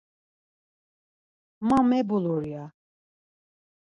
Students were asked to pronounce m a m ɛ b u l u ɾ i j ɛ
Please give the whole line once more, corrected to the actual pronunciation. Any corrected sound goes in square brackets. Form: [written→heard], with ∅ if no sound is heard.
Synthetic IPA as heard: m a m ɛ b u l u ɾ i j [ɛ→a]